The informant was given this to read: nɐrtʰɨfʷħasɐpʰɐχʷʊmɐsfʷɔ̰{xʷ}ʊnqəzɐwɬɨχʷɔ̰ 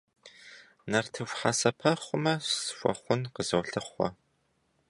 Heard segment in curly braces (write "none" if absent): χʷ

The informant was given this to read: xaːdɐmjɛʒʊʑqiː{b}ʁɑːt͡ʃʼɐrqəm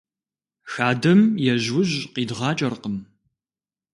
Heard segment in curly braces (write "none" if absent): d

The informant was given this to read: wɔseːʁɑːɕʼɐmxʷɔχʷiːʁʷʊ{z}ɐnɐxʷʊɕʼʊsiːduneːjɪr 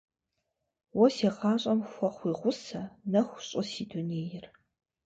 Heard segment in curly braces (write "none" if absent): s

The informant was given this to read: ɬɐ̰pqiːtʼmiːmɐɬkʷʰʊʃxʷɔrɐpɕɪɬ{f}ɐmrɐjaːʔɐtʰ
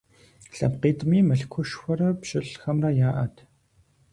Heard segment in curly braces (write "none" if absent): x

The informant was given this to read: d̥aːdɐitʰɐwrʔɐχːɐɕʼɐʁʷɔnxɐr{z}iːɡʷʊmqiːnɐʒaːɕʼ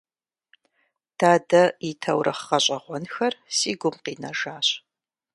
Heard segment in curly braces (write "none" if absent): s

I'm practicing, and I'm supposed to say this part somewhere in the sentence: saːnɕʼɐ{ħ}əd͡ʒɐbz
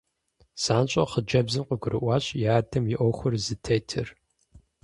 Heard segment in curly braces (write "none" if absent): χ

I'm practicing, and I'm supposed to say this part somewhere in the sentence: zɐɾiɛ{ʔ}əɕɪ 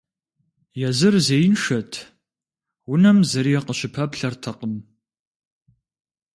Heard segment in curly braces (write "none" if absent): q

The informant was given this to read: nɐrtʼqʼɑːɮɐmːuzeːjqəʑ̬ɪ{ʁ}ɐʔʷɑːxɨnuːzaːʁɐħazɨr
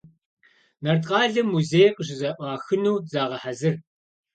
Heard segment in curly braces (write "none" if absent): z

